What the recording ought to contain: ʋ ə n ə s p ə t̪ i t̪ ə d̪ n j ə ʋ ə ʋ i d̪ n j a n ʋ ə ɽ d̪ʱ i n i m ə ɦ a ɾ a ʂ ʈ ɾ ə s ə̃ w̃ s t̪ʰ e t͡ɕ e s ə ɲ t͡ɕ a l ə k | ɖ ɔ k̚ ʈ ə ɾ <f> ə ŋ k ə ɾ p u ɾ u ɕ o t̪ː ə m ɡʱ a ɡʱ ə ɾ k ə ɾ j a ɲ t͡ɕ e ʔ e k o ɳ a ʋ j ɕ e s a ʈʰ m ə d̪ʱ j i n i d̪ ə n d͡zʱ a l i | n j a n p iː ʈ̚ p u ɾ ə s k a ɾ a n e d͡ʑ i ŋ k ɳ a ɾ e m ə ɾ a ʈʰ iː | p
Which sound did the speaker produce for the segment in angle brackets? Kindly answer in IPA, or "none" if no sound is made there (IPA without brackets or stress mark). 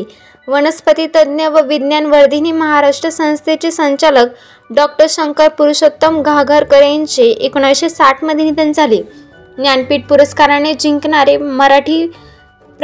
ɕ